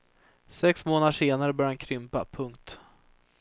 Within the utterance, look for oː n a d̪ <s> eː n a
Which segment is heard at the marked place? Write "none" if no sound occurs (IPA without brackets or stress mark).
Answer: ʂ